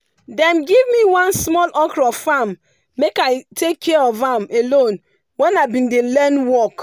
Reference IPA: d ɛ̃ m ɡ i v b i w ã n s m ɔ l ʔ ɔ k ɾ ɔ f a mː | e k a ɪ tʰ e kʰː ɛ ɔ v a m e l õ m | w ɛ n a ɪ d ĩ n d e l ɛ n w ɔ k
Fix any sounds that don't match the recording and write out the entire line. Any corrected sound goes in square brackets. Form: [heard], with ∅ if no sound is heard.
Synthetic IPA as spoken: d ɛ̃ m ɡ i v [m] i w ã n s m ɔ l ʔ ɔ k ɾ ɔ f a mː | e k a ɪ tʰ e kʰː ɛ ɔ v a m e l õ [n] | w ɛ n a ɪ [b] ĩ n d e l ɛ n w ɔ k